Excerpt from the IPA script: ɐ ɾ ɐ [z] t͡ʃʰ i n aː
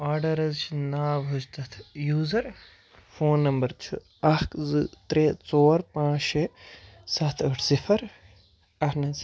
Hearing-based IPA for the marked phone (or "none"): z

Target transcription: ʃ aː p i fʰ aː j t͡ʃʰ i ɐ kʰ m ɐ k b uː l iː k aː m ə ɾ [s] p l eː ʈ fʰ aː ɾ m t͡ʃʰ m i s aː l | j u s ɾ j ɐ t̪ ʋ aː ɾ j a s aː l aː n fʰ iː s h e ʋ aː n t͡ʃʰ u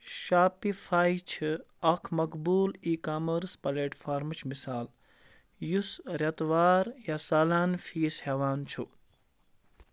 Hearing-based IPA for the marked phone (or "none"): s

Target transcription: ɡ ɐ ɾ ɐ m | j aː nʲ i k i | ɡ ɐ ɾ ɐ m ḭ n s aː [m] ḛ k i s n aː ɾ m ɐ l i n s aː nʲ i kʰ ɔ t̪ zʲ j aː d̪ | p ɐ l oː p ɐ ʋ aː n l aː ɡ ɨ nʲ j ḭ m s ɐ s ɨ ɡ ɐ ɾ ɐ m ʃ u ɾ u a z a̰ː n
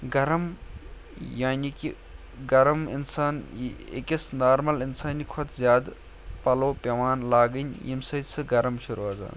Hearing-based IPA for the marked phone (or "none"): n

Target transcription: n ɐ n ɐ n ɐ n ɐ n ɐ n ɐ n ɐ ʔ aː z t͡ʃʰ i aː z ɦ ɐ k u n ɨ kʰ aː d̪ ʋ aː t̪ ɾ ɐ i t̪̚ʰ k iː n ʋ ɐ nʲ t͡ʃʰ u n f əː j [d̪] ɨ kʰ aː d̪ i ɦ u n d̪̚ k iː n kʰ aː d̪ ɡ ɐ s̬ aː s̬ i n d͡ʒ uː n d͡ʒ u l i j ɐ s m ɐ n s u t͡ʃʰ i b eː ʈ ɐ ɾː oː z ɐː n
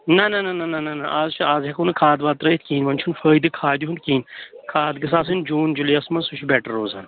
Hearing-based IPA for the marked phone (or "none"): d̪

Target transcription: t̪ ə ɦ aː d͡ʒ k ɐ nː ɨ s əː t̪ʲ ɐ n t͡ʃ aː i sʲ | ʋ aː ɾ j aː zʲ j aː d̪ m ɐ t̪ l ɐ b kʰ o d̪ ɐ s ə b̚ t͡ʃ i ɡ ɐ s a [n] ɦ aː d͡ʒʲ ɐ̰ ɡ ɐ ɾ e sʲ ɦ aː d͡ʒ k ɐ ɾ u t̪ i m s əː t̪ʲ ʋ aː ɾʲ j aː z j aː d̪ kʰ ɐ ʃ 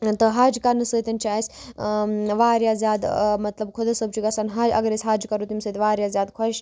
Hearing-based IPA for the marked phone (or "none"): n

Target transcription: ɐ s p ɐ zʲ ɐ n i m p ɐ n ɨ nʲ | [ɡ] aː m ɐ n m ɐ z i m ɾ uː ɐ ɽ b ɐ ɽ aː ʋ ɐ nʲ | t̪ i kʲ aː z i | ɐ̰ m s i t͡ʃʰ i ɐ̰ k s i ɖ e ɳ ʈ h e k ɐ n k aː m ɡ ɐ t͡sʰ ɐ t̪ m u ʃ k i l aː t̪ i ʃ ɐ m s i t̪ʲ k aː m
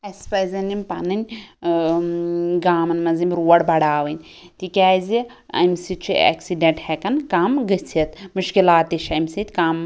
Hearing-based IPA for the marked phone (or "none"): ɡ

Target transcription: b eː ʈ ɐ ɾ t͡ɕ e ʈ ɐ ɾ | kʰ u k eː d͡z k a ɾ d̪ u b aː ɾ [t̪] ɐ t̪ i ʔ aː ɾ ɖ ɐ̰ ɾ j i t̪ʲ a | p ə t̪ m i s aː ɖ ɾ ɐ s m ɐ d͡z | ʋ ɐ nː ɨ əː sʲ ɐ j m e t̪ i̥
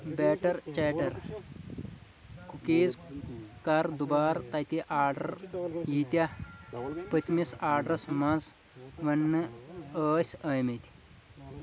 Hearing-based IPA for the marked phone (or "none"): t̪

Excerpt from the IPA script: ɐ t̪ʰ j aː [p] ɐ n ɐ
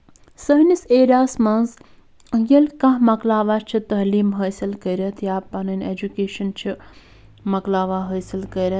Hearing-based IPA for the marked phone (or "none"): p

